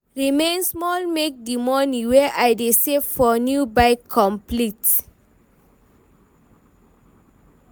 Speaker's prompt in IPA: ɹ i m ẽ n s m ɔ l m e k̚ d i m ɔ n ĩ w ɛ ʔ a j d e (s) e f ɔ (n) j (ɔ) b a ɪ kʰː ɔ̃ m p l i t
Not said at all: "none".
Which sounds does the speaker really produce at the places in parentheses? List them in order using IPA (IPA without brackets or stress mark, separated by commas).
s, n, u